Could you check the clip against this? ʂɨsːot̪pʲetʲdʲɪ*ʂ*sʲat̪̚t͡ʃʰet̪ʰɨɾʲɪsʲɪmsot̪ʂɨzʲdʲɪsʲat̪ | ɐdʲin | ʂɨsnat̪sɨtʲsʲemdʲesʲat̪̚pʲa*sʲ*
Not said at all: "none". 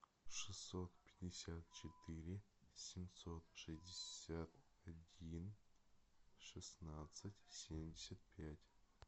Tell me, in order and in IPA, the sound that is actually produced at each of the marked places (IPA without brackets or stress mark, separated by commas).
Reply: none, tʲ